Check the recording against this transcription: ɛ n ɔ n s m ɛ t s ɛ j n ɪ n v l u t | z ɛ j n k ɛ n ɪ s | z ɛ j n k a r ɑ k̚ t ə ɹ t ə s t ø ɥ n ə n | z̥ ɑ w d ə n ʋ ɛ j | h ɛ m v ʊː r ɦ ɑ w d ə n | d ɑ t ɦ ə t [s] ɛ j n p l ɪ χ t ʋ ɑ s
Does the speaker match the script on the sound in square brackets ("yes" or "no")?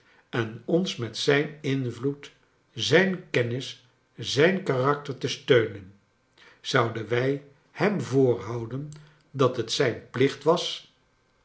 yes